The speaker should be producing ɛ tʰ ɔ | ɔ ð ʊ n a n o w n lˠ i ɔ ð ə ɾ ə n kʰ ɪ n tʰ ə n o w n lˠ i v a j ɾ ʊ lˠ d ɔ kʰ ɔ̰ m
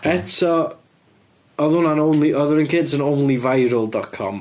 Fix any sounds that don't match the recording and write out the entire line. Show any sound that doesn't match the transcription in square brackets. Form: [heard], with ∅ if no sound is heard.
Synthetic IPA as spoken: ɛ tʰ ɔ | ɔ ð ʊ n a n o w n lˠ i ɔ ð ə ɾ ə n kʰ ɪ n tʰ ə n o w n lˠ i v a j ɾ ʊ lˠ d ɔ kʰ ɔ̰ m